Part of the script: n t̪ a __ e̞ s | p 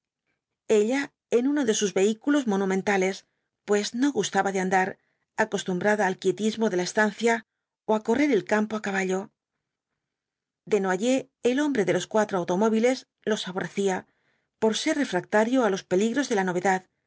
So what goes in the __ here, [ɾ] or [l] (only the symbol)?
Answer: l